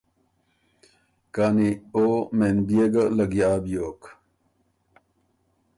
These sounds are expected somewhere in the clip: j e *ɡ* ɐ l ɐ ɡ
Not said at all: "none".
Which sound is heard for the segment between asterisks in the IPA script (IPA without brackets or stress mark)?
ɡ